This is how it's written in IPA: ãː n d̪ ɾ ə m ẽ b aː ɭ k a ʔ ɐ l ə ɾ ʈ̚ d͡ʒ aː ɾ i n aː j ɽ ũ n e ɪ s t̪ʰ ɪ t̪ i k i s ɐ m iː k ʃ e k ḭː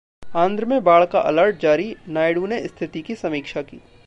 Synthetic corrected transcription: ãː n d̪ ɾ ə m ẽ b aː ɭ k a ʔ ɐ l ə ɾ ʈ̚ d͡ʒ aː ɾ i n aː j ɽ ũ n e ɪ s t̪ʰ ɪ t̪ i k i s ɐ m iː k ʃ a k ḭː